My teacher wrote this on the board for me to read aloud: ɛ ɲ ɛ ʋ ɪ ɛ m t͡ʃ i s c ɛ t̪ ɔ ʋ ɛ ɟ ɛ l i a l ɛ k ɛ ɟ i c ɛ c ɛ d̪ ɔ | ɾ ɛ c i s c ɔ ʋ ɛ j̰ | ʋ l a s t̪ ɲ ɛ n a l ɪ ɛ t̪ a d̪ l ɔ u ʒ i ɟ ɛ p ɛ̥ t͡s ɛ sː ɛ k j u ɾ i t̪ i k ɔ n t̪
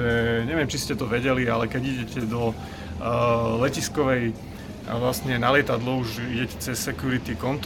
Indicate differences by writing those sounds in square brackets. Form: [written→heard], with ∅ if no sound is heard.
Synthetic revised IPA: ɛ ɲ ɛ ʋ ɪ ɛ m t͡ʃ i s c ɛ t̪ ɔ ʋ ɛ ɟ ɛ l i a l ɛ k ɛ ɟ i [c→ɟ] ɛ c ɛ d̪ ɔ | [ɾ→l] ɛ c i s [c→k] ɔ ʋ ɛ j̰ | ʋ l a s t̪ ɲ ɛ n a l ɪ ɛ t̪ a d̪ l ɔ u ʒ i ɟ ɛ [p→c] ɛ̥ t͡s ɛ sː ɛ k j u ɾ i t̪ i k ɔ n t̪